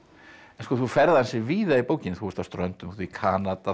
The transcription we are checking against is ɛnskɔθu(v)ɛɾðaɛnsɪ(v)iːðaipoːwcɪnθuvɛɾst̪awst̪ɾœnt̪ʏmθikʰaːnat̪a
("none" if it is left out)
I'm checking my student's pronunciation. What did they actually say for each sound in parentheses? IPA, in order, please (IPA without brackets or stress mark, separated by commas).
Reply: f, v